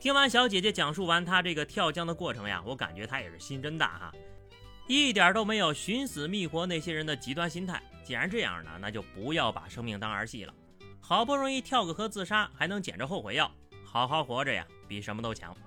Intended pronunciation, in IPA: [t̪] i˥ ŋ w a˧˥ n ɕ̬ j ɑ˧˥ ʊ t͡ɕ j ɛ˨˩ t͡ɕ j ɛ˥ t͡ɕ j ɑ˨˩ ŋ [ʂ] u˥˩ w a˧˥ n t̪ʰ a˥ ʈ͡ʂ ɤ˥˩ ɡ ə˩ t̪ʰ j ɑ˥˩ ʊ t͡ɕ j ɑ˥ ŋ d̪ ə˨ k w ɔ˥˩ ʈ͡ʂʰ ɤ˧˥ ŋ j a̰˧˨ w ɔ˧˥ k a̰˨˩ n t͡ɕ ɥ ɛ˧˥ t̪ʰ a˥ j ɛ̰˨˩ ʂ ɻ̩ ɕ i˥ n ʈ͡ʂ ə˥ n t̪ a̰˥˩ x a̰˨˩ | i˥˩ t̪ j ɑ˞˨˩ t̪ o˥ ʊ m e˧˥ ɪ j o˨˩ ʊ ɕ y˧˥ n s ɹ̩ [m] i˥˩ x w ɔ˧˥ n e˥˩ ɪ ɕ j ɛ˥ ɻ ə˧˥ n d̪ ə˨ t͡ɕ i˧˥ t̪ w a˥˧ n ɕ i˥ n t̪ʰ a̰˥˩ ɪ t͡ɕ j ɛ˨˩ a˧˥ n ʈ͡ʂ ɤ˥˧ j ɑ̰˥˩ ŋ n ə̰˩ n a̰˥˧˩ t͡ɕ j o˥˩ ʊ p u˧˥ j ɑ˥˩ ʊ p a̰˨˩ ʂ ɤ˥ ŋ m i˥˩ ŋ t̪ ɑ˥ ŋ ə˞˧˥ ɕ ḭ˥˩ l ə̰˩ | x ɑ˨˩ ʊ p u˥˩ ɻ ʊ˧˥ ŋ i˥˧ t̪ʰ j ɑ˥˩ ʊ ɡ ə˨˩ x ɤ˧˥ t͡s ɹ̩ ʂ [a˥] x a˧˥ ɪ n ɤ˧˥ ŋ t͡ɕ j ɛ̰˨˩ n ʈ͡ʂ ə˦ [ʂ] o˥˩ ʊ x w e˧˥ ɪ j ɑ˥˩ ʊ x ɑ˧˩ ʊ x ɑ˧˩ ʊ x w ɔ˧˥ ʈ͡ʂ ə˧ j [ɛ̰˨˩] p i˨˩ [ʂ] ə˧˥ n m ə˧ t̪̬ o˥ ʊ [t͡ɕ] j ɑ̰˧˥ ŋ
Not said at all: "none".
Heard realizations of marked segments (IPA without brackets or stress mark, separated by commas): t̪ʰ, ʂ, m, a˥, x, a̰˨˩, ʂ, t͡ɕʰ